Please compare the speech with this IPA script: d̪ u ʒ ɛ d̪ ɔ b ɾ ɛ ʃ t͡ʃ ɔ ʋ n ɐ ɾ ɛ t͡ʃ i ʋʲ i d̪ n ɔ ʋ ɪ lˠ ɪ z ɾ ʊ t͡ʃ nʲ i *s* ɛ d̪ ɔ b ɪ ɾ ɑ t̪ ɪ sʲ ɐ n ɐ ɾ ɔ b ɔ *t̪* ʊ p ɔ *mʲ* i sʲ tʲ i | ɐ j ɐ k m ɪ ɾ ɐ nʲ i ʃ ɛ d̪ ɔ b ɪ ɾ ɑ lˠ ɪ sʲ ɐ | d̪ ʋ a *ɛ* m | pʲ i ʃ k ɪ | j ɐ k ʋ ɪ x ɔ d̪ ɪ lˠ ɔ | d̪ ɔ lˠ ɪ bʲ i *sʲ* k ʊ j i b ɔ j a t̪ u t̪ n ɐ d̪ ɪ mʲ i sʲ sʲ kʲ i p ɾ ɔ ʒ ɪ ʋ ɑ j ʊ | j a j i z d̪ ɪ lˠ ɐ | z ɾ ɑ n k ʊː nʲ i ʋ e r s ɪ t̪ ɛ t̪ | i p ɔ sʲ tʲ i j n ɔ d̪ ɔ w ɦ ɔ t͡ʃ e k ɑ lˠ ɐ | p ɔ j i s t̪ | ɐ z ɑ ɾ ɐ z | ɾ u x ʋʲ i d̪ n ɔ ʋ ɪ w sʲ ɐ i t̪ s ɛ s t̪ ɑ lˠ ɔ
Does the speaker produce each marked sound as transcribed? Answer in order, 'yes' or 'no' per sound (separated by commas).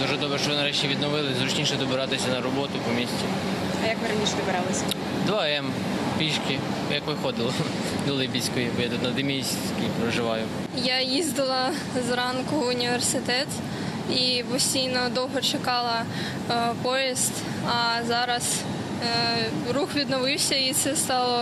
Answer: no, yes, yes, yes, yes